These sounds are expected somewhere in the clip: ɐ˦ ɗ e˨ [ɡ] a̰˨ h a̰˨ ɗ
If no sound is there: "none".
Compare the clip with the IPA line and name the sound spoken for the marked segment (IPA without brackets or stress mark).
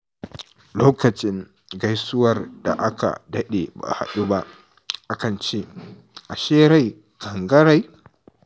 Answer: b